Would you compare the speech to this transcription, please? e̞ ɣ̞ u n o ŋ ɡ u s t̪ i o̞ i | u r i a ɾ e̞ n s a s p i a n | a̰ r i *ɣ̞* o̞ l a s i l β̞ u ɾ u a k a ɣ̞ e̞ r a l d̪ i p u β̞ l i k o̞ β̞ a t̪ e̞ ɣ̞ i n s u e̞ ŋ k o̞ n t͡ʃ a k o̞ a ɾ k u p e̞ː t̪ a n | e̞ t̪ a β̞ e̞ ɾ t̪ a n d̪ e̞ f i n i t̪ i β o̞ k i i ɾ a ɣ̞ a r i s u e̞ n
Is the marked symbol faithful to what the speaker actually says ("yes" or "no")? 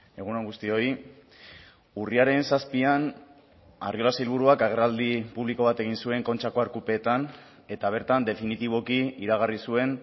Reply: no